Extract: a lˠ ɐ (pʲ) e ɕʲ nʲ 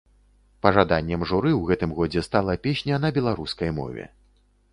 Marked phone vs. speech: correct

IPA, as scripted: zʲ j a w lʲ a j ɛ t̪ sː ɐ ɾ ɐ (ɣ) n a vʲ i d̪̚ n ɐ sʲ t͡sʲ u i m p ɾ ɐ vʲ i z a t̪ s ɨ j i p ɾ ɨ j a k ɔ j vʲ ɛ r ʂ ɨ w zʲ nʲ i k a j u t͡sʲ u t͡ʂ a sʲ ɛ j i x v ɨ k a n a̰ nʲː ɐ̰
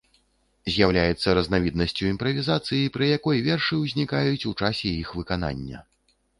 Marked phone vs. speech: incorrect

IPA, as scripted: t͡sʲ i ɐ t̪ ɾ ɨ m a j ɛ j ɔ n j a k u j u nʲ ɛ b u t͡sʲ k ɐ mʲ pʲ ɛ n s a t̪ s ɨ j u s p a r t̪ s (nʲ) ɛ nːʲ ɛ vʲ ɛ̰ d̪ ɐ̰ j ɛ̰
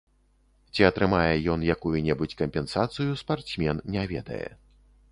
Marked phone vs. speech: incorrect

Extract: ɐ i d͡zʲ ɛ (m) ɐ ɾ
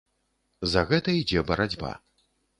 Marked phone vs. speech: incorrect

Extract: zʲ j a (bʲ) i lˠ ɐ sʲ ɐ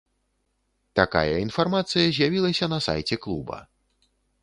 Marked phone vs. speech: incorrect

